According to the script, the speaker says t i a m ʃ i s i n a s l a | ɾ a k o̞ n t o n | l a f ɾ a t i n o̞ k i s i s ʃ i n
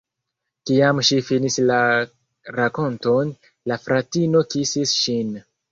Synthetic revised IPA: k i a m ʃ i f i n i s l a | ɾ a k o̞ n t o n | l a f ɾ a t i n o̞ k i s i s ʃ i n